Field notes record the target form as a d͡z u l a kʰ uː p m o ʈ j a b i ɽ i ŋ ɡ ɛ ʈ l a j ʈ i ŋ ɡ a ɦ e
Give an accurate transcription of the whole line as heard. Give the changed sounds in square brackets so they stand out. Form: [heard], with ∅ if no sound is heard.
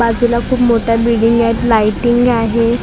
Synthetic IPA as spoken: a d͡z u l a kʰ uː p m o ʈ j a b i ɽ i ŋ ɡ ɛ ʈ l a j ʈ i ŋ ɡ a ɦ e